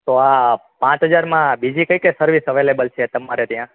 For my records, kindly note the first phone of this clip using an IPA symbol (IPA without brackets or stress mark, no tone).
t̪